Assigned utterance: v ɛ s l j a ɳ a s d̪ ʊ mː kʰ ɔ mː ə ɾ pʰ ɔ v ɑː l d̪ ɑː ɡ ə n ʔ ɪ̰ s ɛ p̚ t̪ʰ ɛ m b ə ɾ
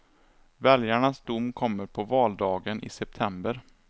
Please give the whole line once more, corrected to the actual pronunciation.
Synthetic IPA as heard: v ɛ l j a ɳ a s d̪ ʊ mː kʰ ɔ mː ə ɾ pʰ ɔ v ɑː l d̪ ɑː ɡ ə n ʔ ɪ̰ s ɛ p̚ t̪ʰ ɛ m b ə ɾ

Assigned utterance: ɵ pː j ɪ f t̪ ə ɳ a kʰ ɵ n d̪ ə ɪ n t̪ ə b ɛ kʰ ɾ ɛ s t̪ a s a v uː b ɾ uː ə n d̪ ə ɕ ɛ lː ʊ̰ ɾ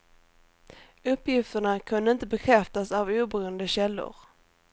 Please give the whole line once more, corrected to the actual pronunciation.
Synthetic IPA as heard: ɵ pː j ɪ f t̪ ə ɳ a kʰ ɵ n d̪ ə ɪ n t̪ ə b ɛ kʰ ɾ ɛ f t̪ a s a v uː b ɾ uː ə n d̪ ə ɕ ɛ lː ʊ̰ ɾ

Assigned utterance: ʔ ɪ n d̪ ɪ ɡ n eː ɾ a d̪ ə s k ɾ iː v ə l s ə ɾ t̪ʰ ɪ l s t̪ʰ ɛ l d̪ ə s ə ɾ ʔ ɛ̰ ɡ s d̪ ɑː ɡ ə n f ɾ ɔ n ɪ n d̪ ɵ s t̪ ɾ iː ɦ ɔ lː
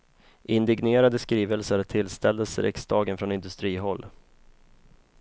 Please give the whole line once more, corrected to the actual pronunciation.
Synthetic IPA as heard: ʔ ɪ n d̪ ɪ ɡ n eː ɾ a d̪ ə s k ɾ iː v ə l s ə ɾ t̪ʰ ɪ l s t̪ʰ ɛ l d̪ ə s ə ɾ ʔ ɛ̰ k s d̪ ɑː ɡ ə n f ɾ ɔ n ɪ n d̪ ɵ s t̪ ɾ iː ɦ ɔ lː

